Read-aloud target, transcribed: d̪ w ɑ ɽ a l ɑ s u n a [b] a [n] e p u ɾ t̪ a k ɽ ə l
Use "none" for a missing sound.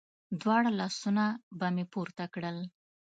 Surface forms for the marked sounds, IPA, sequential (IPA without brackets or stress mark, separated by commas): b, m